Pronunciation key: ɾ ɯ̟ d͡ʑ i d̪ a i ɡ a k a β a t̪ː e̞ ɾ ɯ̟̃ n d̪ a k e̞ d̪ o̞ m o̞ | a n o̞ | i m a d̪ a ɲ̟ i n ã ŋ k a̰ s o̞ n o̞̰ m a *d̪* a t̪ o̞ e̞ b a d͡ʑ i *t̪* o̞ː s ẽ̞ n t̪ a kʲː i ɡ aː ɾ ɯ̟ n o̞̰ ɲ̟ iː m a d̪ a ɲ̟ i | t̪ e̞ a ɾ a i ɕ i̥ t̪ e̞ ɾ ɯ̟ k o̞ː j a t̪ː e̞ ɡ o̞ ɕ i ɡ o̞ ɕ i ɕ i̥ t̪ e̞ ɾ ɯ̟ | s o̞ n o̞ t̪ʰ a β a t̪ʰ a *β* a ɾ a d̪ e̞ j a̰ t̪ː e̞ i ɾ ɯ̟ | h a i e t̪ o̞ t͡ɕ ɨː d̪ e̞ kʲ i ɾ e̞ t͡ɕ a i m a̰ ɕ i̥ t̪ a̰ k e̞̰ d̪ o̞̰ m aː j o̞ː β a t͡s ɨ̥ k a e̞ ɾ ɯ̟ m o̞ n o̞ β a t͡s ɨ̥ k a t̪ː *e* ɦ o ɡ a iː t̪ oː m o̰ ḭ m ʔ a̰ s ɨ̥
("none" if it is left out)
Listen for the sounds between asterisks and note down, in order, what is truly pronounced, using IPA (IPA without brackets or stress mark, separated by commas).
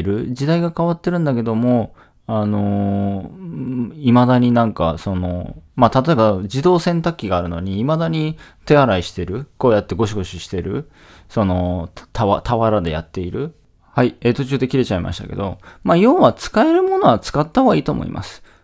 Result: t̪, d̪, β, a